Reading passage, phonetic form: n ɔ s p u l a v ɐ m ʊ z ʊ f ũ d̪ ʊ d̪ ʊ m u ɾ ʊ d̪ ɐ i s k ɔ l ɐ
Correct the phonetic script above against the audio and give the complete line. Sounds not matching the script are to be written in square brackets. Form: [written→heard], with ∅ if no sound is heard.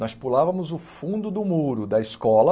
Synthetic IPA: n ɔ s p u l a v ɐ m ʊ z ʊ f ũ d̪ ʊ d̪ ʊ m u ɾ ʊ d̪ ɐ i s k ɔ l ɐ